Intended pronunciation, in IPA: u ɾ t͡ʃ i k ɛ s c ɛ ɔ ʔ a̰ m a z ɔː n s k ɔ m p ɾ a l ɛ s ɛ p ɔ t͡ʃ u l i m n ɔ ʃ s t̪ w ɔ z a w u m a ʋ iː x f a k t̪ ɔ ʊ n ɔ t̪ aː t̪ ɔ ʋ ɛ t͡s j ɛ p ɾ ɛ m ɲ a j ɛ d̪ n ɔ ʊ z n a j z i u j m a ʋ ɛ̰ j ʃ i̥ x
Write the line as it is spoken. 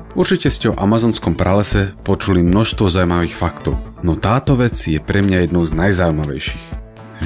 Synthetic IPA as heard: u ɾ t͡ʃ i c ɛ s c ɛ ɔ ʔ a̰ m a z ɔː n s k ɔ m p ɾ a l ɛ s ɛ p ɔ t͡ʃ u l i m n ɔ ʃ s t̪ ʋ ɔ z a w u m a ʋ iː x f a k t̪ ɔ ʊ n ɔ t̪ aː t̪ ɔ ʋ ɛ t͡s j ɛ p ɾ ɛ m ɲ a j ɛ d̪ n ɔ ʊ z n a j z a u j m a ʋ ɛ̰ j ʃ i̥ x